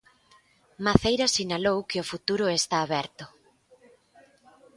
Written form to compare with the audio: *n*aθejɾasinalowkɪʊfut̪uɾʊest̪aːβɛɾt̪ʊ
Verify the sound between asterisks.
incorrect: m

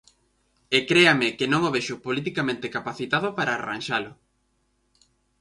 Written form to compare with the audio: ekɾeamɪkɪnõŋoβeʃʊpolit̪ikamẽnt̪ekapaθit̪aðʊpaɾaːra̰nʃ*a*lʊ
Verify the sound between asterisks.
correct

